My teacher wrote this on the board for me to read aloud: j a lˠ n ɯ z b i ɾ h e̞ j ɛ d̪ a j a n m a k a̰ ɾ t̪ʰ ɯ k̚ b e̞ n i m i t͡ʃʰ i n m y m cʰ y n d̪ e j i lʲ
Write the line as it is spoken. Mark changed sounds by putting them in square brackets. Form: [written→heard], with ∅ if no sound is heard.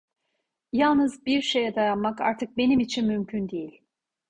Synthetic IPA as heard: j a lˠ n ɯ z b i ɾ [h→ʃ] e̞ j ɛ d̪ a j a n m a k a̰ ɾ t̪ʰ ɯ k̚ b e̞ n i m i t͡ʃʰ i n m y m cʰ y n d̪ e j i lʲ